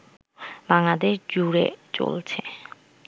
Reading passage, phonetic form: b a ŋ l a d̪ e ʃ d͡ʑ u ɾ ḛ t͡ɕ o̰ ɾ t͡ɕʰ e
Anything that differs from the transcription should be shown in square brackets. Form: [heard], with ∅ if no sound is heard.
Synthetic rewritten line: b a ŋ l a d̪ e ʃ d͡ʑ u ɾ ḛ t͡ɕ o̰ [l] t͡ɕʰ e